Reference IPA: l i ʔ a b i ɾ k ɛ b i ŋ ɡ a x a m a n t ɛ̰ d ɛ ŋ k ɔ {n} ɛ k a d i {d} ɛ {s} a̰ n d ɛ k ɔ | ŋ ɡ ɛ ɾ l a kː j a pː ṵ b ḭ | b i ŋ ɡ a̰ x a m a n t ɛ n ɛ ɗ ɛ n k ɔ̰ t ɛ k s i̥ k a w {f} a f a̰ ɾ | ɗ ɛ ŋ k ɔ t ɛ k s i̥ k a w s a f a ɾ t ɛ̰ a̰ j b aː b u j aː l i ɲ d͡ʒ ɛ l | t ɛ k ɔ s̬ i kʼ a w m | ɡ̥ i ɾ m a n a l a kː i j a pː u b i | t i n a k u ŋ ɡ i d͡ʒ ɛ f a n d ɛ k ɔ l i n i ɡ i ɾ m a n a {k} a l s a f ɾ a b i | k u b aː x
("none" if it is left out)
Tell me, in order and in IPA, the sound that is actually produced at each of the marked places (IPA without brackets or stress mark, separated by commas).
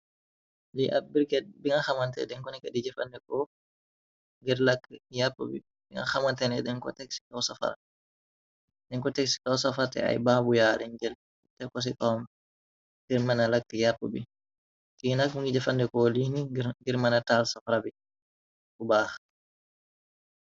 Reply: n, d͡ʒ, f, s, t